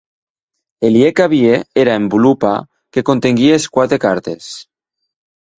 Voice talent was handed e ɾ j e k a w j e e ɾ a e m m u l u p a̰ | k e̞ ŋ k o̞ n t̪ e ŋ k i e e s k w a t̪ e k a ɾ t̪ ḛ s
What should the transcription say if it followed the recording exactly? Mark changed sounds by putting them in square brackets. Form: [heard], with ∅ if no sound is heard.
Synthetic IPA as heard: e [l] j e k a [β] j e e ɾ a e m [b] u l u p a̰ | k e̞ [∅] k o̞ n t̪ e ŋ [ɡ] i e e s k w a t̪ e k a ɾ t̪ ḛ s